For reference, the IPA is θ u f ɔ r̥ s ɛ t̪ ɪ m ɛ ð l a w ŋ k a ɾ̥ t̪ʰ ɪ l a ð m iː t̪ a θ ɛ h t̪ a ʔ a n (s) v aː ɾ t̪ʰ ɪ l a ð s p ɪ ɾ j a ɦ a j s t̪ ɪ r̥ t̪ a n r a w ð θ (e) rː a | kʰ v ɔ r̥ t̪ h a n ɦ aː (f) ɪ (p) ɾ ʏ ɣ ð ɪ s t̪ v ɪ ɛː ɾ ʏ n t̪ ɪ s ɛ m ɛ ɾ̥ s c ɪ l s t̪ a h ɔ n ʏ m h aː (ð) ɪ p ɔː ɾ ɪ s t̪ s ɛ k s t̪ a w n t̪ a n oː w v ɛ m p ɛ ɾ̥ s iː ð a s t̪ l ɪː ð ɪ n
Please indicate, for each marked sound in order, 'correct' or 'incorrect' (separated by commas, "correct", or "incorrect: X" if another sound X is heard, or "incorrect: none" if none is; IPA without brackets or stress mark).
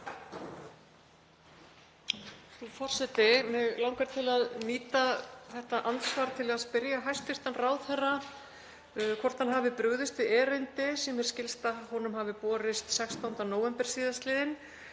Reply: correct, incorrect: ɛ, incorrect: v, correct, incorrect: v